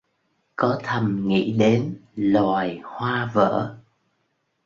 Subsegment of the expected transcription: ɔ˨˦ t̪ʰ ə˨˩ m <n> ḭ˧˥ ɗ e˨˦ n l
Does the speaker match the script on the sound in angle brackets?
no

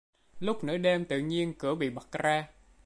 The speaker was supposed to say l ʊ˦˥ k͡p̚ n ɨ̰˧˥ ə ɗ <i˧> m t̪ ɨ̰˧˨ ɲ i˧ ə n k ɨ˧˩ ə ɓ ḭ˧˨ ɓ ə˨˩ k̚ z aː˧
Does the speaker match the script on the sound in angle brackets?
no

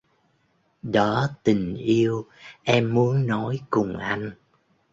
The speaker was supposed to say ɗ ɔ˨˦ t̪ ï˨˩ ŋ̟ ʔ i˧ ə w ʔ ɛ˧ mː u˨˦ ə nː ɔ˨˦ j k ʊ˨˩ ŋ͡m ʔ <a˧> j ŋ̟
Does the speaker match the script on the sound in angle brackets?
yes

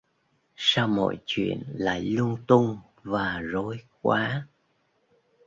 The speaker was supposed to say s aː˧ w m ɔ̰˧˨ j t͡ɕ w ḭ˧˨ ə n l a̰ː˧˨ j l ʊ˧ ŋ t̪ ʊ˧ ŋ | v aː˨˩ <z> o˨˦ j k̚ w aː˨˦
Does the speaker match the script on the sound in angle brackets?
yes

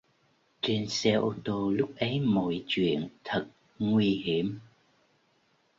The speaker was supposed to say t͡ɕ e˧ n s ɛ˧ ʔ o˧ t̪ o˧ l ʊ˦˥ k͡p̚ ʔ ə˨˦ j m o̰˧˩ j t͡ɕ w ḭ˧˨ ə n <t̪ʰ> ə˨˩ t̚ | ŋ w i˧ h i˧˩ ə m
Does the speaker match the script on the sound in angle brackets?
yes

